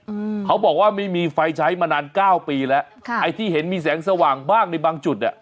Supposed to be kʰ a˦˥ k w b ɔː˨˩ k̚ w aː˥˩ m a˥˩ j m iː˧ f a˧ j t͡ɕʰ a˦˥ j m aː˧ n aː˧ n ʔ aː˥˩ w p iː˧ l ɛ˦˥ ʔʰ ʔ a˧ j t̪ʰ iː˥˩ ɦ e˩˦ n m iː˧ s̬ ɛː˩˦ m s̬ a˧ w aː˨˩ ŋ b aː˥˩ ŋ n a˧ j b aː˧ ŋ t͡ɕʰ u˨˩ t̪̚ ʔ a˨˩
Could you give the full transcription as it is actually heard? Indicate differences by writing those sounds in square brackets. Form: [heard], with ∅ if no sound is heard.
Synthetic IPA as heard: kʰ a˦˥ [∅] w b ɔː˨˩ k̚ w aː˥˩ m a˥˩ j m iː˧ f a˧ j t͡ɕʰ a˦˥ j m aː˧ n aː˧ n [k] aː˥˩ w p iː˧ l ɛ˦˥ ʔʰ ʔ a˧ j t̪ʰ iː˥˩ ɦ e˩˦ n m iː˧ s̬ ɛː˩˦ [ŋ] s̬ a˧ w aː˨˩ ŋ b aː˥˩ ŋ n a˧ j b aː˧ ŋ [t͡ɕ] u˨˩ t̪̚ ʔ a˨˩